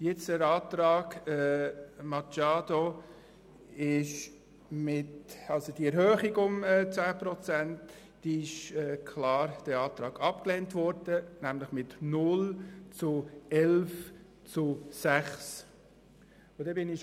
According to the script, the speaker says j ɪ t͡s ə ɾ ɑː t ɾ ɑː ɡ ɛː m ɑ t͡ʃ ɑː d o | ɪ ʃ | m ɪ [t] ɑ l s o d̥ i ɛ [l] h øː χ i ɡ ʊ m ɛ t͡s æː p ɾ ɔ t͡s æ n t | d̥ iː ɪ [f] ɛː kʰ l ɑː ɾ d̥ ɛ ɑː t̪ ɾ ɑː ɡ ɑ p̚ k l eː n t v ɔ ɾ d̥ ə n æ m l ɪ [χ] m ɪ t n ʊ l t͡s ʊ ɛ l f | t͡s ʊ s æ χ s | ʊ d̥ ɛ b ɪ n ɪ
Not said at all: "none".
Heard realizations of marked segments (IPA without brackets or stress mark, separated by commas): t, ɾ, ʃ, χ